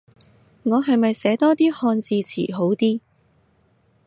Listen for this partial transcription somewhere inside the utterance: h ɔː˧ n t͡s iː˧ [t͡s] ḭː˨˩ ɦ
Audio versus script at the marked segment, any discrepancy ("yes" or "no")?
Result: yes